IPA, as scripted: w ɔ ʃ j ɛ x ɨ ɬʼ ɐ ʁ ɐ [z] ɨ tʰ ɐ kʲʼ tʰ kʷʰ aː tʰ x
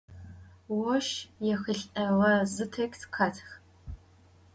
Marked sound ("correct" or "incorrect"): correct